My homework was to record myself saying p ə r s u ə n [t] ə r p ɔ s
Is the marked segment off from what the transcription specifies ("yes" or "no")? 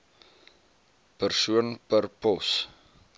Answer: yes